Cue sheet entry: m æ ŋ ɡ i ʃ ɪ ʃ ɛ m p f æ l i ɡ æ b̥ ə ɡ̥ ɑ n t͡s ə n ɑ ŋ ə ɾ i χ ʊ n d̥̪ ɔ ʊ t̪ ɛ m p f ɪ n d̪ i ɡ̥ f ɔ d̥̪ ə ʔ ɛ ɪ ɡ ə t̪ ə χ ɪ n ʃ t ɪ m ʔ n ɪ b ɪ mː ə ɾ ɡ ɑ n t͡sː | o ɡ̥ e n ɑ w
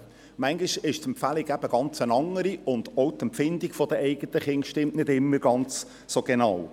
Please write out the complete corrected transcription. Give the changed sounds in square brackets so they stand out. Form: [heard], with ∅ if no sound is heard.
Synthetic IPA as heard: m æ ŋ ɡ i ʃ ɪ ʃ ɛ m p f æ l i ɡ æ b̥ ə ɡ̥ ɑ n t͡s ə n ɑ ŋ ə ɾ i [∅] ʊ n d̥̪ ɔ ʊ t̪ ɛ m p f ɪ n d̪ i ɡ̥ f ɔ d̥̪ ə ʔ ɛ ɪ ɡ ə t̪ ə χ ɪ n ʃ t ɪ m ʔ n ɪ [d] ɪ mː ə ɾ ɡ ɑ n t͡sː | o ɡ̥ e n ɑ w

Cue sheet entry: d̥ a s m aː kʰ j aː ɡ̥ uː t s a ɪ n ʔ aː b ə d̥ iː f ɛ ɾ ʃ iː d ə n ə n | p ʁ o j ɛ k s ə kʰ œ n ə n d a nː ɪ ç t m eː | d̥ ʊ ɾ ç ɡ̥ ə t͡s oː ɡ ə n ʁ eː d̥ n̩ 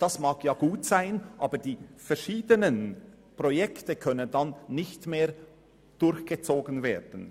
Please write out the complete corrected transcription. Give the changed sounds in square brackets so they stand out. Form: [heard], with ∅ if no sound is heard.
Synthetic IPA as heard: d̥ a s m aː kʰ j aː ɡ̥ uː t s a ɪ n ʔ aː b ə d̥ iː f ɛ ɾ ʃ iː d ə n ə n | p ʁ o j ɛ k [t] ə kʰ œ n ə n d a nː ɪ ç t m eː | d̥ ʊ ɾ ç ɡ̥ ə t͡s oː ɡ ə n [v] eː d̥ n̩

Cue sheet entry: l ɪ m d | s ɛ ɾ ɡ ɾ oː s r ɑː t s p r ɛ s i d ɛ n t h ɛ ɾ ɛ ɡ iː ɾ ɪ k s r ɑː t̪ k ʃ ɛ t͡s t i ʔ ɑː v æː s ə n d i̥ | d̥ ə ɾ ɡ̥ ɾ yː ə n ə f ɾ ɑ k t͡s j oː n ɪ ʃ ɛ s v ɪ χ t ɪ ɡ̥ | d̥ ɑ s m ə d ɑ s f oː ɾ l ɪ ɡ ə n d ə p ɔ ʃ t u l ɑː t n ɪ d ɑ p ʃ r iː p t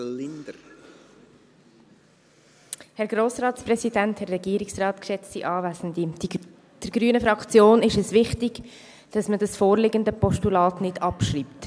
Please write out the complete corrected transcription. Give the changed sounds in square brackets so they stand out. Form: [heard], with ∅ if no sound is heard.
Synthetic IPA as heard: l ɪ [n] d | [h] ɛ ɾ ɡ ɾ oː s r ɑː t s p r ɛ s i d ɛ n t h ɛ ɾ ɛ ɡ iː ɾ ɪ k s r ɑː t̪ k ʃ ɛ t͡s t i ʔ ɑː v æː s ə n d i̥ | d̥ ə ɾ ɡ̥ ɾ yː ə n ə f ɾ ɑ k t͡s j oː n ɪ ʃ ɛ s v ɪ χ t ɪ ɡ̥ | d̥ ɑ s m ə d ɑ s f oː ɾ l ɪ ɡ ə n d ə p ɔ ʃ t u l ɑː t n ɪ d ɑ p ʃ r iː p t

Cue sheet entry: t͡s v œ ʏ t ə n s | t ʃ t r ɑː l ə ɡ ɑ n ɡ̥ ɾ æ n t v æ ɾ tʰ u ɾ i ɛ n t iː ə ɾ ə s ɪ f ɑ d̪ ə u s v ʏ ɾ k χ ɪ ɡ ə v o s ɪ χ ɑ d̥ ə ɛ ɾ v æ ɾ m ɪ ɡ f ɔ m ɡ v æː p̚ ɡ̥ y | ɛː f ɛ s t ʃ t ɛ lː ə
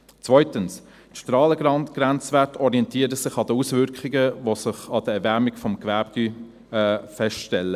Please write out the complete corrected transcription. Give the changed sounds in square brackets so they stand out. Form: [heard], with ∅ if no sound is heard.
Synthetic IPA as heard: t͡s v œ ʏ t ə n s | t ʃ t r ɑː l ə ɡ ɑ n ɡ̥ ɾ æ n [t͡s] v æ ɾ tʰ [ɔ] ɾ i ɛ n t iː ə ɾ ə s ɪ [χ] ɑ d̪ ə u s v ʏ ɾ k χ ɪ ɡ ə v o s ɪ χ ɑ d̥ ə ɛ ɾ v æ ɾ m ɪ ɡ f ɔ m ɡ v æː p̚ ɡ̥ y | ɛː f ɛ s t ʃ t ɛ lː ə

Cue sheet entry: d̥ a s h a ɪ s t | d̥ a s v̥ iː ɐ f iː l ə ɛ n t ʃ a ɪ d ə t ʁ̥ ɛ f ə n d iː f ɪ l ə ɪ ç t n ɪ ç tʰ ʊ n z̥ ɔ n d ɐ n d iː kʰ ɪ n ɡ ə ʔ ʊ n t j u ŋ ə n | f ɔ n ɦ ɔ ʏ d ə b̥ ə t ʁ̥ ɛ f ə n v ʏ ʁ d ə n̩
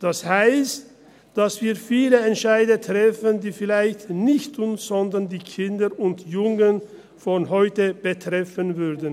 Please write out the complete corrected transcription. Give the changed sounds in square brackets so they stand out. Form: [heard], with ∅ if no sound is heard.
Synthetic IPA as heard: d̥ a s h a ɪ s t | d̥ a s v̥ iː ɐ f iː l ə ɛ n t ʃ a ɪ d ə t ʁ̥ ɛ f ə n d iː f ɪ l [a] ɪ ç t n ɪ ç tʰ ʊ n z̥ ɔ n d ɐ n d iː kʰ ɪ n [d] ə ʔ ʊ n t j [ʊ] ŋ ə n | f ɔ n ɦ ɔ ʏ [t] ə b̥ ə t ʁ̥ ɛ f ə n v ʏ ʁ d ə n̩

